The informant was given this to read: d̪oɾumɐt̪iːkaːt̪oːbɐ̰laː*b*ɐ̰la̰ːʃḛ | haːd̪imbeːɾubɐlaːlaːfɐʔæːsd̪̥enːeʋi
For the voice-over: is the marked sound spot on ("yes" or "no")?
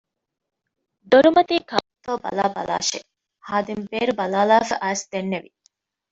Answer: yes